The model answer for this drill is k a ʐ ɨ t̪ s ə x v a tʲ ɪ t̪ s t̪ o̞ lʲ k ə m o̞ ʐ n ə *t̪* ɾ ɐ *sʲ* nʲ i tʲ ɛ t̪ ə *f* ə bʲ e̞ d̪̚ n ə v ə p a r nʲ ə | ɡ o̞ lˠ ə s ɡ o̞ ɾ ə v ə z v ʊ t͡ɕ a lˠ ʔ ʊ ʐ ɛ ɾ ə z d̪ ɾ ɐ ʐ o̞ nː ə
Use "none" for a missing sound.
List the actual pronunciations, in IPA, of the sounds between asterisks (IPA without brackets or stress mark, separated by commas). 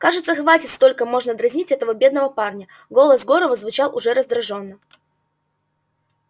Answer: d̪, zʲ, v